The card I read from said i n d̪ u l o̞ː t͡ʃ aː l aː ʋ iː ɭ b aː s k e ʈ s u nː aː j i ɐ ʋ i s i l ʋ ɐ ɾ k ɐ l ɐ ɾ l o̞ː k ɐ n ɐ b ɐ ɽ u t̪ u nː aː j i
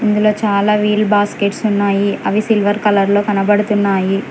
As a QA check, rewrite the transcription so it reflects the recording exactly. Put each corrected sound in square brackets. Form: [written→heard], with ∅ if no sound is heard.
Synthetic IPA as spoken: i n d̪ u l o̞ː t͡ʃ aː l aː ʋ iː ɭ b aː s k e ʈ s u nː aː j i ɐ ʋ i s i l ʋ ɐ ɾ k ɐ l ɐ ɾ l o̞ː k ɐ n ɐ b ɐ ɽ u t̪ u nː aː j i

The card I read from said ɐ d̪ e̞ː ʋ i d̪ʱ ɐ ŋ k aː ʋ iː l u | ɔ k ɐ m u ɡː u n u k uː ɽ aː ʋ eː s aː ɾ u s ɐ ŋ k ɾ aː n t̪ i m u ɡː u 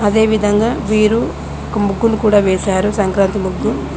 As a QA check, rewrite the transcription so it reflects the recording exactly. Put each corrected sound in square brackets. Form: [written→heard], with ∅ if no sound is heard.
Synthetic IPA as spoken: ɐ d̪ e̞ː ʋ i d̪ʱ ɐ ŋ [k→ɡ] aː ʋ iː [l→ɾ] u | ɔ k ɐ m u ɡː u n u k uː ɽ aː ʋ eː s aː ɾ u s ɐ ŋ k ɾ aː n t̪ i m u ɡː u

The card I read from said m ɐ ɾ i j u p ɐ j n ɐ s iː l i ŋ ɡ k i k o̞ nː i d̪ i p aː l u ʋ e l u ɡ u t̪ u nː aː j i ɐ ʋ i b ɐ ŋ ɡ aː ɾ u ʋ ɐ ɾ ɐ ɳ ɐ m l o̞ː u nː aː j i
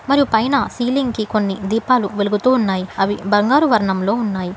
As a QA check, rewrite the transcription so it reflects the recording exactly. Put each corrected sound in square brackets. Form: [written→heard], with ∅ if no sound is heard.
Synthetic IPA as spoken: m ɐ ɾ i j u p ɐ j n ɐ s iː l i ŋ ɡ k i k o̞ nː i d̪ [i→iː] p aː l u ʋ e l u ɡ u t̪ [u→uː] nː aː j i ɐ ʋ i b ɐ ŋ ɡ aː ɾ u ʋ ɐ ɾ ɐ ɳ ɐ m l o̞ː u nː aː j i

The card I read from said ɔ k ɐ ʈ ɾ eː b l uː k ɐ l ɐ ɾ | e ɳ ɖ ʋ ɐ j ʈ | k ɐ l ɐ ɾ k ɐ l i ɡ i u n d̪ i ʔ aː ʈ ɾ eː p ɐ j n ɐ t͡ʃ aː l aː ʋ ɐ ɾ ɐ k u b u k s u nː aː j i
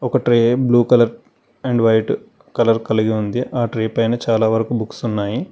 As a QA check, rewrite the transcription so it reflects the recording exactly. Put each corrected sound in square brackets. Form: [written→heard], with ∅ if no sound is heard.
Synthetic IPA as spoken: ɔ k ɐ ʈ ɾ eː b l uː k ɐ l ɐ ɾ | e ɳ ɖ ʋ ɐ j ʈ | k ɐ l ɐ ɾ k ɐ l i ɡ i u n d̪ i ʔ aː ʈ ɾ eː p ɐ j n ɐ t͡ʃ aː l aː ʋ ɐ ɾ ɐ k u b u k s u nː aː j i

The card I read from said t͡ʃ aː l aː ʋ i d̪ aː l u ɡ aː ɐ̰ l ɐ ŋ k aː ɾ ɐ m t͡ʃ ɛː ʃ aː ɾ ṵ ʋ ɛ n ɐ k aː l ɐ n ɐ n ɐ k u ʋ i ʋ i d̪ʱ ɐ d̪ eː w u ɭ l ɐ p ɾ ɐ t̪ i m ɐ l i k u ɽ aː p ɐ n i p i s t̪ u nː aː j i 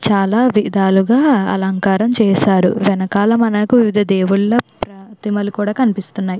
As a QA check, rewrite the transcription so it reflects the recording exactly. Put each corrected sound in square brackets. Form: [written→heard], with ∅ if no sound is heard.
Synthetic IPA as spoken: t͡ʃ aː l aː ʋ i d̪ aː l u ɡ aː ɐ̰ l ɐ ŋ k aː ɾ ɐ m t͡ʃ ɛː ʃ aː ɾ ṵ ʋ ɛ n ɐ k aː l ɐ [n→m] ɐ n ɐ k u ʋ i ʋ i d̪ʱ ɐ d̪ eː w u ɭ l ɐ p ɾ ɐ t̪ i m ɐ l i k [u→uː] ɽ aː [p→k] ɐ n i p i s t̪ u nː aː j i

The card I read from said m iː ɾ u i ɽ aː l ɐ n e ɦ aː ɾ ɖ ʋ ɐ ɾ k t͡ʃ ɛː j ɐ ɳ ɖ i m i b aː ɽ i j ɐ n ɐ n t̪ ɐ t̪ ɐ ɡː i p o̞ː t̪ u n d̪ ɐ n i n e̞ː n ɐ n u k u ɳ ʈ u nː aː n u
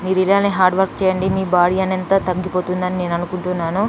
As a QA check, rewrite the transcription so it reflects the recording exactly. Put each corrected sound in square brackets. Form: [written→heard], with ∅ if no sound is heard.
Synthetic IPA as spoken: m iː ɾ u i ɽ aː l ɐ n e ɦ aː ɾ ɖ ʋ ɐ ɾ k t͡ʃ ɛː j ɐ ɳ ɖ i m [i→iː] b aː ɽ i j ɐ n ɐ n t̪ ɐ t̪ ɐ ɡː i p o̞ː t̪ u n d̪ ɐ n i n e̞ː n ɐ n u k u ɳ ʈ u nː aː n u

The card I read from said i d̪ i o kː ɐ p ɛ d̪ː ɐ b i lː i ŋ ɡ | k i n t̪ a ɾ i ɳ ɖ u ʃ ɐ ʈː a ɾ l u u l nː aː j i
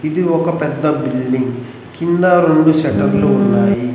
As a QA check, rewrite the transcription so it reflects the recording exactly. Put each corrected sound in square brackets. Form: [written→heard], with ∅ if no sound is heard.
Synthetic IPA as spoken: i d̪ i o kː ɐ p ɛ d̪ː ɐ b i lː i ŋ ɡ | k i n [t̪→d̪] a ɾ [i→e] ɳ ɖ u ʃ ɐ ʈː [a→ɐ] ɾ l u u [l→∅] nː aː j i

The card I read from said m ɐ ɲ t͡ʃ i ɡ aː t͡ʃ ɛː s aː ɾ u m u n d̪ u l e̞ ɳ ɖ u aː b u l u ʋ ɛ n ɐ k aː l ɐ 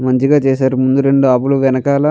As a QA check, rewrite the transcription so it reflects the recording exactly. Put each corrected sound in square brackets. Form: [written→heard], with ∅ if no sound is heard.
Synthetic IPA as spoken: m ɐ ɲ t͡ʃ i ɡ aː t͡ʃ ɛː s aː ɾ u m u n d̪ u [l→ɾ] e̞ ɳ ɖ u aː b u l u ʋ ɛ n ɐ k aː l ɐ

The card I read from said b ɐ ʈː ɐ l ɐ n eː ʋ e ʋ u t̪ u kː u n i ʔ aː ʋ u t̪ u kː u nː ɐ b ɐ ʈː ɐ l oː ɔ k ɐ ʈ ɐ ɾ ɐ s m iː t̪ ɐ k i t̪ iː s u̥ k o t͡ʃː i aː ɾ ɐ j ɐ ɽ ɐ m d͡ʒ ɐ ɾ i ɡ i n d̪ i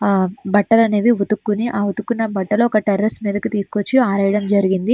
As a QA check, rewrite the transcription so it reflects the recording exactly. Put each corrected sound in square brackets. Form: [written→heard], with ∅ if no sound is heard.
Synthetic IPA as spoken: b ɐ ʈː ɐ l ɐ n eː ʋ [e→i] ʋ u t̪ u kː u n i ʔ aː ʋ u t̪ u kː u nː ɐ b ɐ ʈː ɐ l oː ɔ k ɐ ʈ ɐ ɾ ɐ s m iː [t̪→d̪] ɐ k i t̪ iː s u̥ k o t͡ʃː i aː ɾ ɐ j ɐ ɽ ɐ m d͡ʒ ɐ ɾ i ɡ i n d̪ i

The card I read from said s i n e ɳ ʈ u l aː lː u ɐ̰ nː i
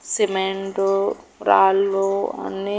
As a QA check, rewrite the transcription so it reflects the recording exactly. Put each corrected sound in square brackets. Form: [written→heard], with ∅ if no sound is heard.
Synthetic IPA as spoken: s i [n→m] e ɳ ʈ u [l→ɾ] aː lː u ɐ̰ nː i

